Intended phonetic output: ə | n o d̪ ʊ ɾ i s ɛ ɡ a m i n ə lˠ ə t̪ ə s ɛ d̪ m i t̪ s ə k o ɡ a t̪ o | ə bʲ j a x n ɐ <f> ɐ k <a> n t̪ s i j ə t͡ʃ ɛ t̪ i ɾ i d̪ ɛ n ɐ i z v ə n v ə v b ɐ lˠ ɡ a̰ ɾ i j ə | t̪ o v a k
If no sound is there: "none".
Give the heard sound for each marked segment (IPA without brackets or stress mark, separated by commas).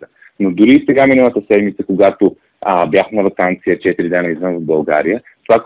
v, a